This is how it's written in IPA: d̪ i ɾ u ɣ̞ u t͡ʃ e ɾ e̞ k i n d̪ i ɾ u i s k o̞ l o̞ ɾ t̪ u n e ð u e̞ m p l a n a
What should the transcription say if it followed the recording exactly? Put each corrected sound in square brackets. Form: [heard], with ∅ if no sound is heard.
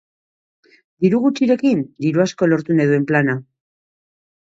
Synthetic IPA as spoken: d̪ i ɾ u ɣ̞ u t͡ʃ [i] ɾ e̞ k i n d̪ i ɾ u [a] s k o̞ l o̞ ɾ t̪ u n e ð u e̞ m p l a n a

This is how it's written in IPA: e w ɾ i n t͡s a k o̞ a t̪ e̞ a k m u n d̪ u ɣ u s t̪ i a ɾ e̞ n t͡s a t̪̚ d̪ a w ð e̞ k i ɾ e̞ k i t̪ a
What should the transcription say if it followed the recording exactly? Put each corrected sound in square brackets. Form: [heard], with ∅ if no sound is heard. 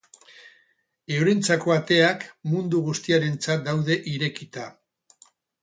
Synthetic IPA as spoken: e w ɾ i n t͡s a k o̞ a t̪ e̞ a k m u n d̪ u ɣ u s t̪ i a ɾ e̞ n t͡s a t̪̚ d̪ a w ð e̞ [ʔ] i ɾ e̞ k i t̪ a

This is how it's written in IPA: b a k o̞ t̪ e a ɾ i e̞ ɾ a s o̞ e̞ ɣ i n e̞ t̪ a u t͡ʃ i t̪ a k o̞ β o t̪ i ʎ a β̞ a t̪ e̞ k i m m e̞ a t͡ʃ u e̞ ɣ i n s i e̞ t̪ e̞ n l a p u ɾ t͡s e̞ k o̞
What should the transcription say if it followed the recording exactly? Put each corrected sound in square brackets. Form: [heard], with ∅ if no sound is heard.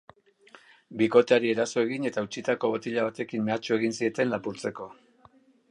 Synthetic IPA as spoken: b [i] k o̞ t̪ e a ɾ i e̞ ɾ a s o̞ e̞ ɣ i n e̞ t̪ a u t͡ʃ i t̪ a k o̞ β o t̪ i ʎ a β̞ a t̪ e̞ k i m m e̞ a t͡ʃ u e̞ ɣ i n s i e̞ t̪ e̞ n l a p u ɾ t͡s e̞ k o̞

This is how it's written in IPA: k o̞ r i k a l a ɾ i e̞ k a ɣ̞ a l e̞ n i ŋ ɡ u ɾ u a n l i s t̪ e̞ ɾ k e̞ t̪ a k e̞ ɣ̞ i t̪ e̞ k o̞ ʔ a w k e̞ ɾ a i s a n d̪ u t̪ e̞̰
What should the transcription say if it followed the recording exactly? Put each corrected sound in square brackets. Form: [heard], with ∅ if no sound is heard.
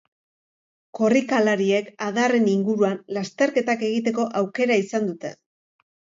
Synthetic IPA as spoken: k o̞ r i k a l a ɾ i e̞ k a [ð̞] a [r] e̞ n i ŋ ɡ u ɾ u a n l [a] s t̪ e̞ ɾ k e̞ t̪ a k e̞ ɣ̞ i t̪ e̞ k o̞ ʔ a w k e̞ ɾ a i s a n d̪ u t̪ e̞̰

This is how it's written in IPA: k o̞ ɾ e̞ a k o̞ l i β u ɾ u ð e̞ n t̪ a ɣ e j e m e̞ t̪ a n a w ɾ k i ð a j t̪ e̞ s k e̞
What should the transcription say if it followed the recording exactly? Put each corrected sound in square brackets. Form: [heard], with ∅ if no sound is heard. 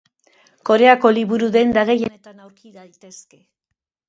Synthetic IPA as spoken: k o̞ ɾ e̞ a k o̞ l i β u ɾ u ð e̞ n [d̪] a ɣ e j e [n] e̞ t̪ a n a w ɾ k i ð a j t̪ e̞ s k e̞

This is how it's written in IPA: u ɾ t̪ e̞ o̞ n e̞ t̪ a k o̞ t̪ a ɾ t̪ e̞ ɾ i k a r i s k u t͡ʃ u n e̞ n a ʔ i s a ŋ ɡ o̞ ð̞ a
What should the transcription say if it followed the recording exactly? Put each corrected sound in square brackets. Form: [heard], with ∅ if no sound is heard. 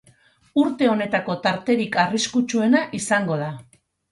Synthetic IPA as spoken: u ɾ t̪ e̞ o̞ n e̞ t̪ a k o̞ t̪ a ɾ t̪ e̞ ɾ i k a r i s k u t͡ʃ u [∅] e̞ n a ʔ i s a ŋ ɡ o̞ ð̞ a

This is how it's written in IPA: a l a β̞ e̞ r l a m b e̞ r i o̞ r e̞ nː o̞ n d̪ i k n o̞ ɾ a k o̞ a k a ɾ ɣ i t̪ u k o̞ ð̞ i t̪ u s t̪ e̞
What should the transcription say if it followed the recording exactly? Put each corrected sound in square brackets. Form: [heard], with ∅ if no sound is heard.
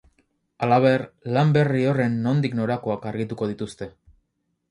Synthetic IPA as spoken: a l a β̞ e̞ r l a m b e̞ r i o̞ r e̞ nː o̞ n d̪ i k n o̞ ɾ a k o̞ a k a ɾ ɣ i t̪ u k o̞ ð̞ i t̪ u s t̪ e̞

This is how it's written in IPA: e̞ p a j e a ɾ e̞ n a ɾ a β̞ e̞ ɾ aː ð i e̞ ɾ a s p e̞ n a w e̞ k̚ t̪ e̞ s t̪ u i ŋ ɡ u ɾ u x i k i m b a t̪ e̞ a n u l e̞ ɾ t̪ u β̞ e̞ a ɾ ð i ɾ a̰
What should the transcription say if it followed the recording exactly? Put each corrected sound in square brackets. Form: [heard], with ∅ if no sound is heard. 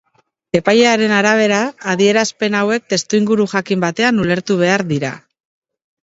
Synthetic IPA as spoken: e̞ p a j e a ɾ e̞ n a ɾ a β̞ e̞ ɾ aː ð i e̞ ɾ a s p e̞ n a w e̞ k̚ t̪ e̞ s t̪ u i ŋ ɡ u ɾ u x [a] k i m b a t̪ e̞ a n u l e̞ ɾ t̪ u β̞ e̞ a ɾ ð i ɾ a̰

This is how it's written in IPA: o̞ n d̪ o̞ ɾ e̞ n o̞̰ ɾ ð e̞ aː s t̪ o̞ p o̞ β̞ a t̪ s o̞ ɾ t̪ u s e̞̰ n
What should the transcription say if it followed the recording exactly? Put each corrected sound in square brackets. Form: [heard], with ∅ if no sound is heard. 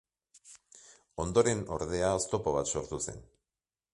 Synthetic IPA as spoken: o̞ n d̪ o̞ ɾ e̞ n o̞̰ ɾ ð e̞ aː s t̪ o̞ p o̞ β̞ a t̪ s o̞ ɾ t̪ u s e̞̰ n

